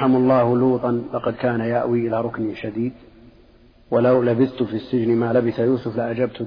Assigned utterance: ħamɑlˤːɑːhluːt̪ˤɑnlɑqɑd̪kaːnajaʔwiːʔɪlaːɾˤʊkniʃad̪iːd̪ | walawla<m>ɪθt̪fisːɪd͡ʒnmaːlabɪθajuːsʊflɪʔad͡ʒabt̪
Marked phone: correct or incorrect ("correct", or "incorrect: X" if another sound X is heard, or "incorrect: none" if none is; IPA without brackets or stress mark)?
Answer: incorrect: b